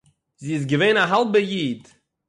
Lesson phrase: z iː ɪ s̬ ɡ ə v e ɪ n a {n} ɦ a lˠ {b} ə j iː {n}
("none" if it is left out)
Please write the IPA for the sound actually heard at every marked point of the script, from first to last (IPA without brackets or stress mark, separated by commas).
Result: none, b, d